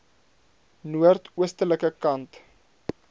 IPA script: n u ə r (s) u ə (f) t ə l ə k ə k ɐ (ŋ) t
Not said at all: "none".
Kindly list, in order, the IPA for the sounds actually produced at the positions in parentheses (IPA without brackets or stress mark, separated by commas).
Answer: t, s, n